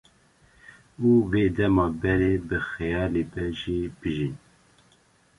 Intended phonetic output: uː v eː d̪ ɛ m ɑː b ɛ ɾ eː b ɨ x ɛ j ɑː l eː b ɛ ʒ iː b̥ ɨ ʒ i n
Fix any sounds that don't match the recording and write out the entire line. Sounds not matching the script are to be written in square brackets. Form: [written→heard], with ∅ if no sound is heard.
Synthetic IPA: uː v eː d̪ ɛ m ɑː b ɛ ɾ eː b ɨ x ɛ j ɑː l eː b ɛ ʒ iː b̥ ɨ ʒ i n